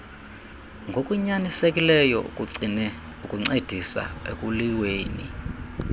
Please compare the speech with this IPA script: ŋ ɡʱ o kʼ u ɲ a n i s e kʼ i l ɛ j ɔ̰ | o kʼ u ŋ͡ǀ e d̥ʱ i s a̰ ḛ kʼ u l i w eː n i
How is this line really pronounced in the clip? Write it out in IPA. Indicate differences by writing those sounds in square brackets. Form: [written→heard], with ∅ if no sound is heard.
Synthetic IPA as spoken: ŋ ɡʱ o kʼ u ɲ a n i s e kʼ i l ɛ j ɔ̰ | [o→u] kʼ u ŋ͡ǀ e d̥ʱ i s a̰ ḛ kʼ u l i w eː n i